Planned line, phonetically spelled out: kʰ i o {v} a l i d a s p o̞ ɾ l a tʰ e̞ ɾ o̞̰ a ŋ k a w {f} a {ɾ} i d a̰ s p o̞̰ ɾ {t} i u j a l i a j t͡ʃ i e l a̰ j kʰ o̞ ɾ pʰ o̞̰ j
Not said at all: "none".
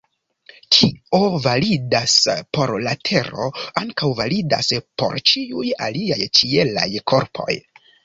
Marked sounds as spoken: v, v, l, t͡ʃ

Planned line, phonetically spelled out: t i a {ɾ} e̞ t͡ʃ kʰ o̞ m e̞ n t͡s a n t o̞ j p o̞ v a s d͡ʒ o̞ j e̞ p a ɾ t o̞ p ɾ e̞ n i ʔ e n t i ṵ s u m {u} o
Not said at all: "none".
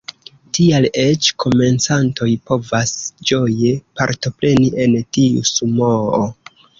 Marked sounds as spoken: l, o

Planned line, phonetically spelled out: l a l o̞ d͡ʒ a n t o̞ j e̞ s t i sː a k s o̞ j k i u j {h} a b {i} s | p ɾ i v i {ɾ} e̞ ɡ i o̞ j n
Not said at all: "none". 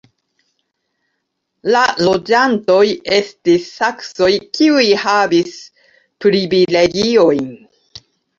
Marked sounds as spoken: h, i, l

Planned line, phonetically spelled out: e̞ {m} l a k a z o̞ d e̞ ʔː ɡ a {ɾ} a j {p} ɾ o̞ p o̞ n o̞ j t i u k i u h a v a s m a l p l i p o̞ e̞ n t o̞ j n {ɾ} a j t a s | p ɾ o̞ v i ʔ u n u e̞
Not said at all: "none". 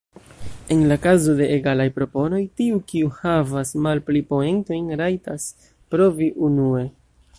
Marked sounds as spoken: n, l, p, ɾ

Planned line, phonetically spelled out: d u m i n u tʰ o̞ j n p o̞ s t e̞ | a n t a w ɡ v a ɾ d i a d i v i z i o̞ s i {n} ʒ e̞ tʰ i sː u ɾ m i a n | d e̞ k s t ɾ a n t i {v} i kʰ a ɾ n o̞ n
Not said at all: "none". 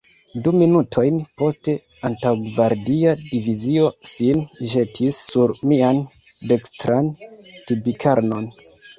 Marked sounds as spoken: n, b

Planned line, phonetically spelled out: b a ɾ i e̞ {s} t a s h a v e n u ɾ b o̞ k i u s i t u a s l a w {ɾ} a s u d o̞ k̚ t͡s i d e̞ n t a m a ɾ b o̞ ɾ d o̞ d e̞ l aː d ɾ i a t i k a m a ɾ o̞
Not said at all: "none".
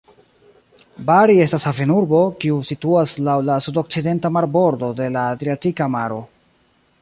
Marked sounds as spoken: s, l

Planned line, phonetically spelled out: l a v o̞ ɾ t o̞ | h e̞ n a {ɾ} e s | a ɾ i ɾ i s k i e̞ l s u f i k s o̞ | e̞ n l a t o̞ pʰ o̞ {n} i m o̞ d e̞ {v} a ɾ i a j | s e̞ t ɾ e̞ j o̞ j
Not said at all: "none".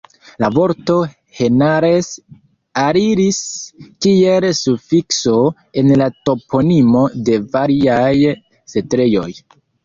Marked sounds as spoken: ɾ, n, v

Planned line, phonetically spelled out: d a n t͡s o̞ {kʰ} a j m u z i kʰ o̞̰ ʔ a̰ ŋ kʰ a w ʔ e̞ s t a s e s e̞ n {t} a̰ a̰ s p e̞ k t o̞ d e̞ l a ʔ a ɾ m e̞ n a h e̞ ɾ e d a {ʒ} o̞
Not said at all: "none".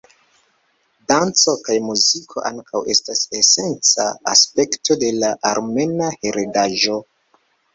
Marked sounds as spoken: k, t͡s, ʒ

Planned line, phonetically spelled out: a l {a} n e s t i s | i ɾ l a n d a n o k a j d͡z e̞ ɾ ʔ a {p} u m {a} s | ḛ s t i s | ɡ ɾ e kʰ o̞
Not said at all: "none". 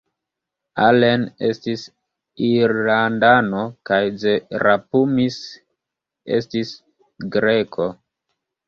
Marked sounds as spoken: e, p, i

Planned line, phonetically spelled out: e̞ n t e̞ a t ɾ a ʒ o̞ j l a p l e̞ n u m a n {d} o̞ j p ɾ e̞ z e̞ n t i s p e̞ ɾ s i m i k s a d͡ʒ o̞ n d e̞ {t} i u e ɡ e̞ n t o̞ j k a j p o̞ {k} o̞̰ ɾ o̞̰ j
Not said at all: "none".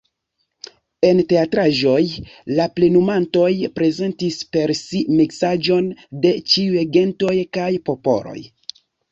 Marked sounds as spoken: t, t͡ʃ, p

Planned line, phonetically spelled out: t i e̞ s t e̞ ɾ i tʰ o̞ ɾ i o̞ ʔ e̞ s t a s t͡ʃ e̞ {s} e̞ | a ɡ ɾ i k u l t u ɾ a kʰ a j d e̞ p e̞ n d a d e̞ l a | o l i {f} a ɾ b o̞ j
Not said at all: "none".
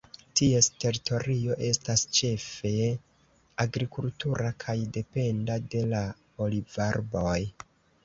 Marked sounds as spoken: f, v

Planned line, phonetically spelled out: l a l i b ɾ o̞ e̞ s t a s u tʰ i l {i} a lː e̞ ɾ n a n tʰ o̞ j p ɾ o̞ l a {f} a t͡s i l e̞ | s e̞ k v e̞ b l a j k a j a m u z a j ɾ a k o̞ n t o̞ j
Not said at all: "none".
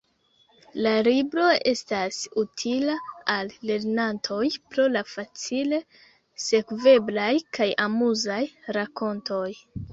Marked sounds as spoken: a, f

